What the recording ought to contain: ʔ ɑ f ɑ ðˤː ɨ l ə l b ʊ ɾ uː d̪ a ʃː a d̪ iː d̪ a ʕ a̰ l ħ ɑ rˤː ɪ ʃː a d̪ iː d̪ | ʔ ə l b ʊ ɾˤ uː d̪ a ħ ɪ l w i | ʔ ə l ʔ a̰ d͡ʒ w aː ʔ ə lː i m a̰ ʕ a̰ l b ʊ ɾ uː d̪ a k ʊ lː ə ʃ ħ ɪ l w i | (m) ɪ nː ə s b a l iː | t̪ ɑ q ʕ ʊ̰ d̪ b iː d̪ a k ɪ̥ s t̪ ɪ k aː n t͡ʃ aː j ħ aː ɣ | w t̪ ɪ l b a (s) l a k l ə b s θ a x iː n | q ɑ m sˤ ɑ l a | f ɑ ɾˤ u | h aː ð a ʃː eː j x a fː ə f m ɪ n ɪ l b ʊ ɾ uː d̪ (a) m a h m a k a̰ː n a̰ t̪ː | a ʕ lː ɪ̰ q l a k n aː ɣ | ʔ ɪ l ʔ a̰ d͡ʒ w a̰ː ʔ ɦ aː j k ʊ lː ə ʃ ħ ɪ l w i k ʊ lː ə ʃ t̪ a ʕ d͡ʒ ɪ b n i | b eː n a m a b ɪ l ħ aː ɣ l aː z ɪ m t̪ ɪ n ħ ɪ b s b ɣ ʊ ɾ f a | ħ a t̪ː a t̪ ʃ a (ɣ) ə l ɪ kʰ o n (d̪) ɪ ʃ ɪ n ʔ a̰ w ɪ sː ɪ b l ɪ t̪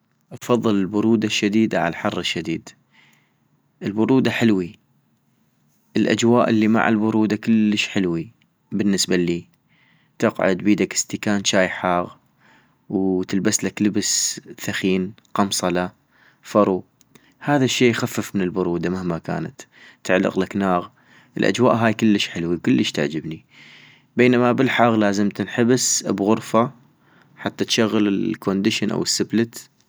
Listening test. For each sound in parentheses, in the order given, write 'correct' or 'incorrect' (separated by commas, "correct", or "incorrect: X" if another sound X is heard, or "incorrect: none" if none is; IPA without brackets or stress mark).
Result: incorrect: b, correct, correct, incorrect: ɣː, correct